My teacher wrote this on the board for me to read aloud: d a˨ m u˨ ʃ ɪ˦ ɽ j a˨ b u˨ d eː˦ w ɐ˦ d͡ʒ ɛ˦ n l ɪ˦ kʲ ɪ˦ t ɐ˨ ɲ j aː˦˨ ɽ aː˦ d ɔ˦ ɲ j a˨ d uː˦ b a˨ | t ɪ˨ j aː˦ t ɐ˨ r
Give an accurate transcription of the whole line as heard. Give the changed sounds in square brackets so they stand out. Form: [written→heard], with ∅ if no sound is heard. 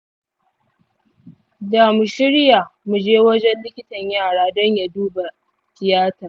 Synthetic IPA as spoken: d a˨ m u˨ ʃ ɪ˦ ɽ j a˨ [b→m] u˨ [d→d͡ʒ] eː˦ w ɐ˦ d͡ʒ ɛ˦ n l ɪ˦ kʲ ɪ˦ t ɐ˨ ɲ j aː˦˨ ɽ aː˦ d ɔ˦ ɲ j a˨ d uː˦ b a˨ | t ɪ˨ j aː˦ t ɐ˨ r